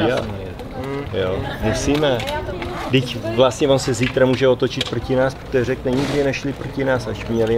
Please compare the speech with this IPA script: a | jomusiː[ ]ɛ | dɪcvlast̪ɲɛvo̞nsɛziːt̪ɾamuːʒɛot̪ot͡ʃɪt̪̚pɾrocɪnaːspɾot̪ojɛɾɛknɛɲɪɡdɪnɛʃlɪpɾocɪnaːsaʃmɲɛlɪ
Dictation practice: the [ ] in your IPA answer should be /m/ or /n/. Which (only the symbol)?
m